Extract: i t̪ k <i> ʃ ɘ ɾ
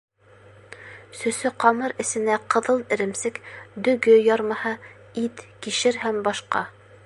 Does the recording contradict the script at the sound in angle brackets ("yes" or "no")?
no